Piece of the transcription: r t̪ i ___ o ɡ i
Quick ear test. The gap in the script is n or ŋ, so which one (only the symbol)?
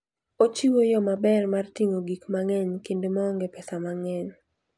ŋ